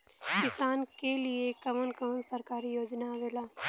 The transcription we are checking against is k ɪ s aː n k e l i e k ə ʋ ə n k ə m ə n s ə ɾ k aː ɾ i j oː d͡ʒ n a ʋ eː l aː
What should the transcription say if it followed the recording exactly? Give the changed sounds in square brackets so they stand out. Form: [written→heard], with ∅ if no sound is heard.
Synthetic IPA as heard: k ɪ s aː n k e l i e k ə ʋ ə n k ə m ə n s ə ɾ k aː ɾ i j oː d͡ʒ n a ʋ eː l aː